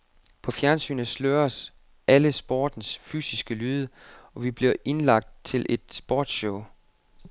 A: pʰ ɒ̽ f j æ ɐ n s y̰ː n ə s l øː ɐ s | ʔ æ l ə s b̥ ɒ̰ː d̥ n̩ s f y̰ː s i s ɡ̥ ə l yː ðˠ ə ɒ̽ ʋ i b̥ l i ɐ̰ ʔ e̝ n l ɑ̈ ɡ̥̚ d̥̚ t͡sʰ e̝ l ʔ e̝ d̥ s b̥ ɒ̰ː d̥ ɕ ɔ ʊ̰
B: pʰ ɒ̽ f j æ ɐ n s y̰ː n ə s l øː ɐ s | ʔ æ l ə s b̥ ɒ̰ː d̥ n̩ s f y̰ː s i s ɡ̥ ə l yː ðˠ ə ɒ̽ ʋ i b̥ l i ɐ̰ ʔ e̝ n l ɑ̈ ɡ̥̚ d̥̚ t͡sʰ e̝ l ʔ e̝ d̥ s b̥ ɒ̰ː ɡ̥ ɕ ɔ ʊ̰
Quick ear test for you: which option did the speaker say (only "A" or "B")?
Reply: A